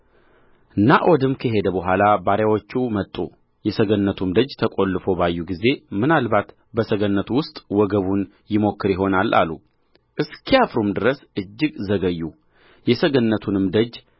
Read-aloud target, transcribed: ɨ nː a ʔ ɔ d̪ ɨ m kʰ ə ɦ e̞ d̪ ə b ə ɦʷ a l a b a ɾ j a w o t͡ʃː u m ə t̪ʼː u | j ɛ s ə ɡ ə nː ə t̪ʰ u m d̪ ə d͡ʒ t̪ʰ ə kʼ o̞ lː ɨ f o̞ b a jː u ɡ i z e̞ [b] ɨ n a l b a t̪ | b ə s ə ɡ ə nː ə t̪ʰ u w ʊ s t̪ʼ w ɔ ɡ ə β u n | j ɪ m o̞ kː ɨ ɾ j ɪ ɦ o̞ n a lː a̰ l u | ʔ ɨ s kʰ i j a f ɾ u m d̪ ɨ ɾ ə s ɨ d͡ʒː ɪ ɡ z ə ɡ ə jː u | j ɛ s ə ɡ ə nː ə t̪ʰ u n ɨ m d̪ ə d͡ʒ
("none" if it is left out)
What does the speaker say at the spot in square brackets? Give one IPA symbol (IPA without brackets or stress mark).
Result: m